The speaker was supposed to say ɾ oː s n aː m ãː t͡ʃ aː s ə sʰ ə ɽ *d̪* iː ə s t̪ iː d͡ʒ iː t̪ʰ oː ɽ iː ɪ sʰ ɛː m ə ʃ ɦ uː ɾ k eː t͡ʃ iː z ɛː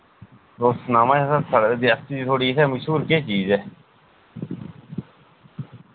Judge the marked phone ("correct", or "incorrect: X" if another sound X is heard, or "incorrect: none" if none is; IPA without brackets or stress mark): correct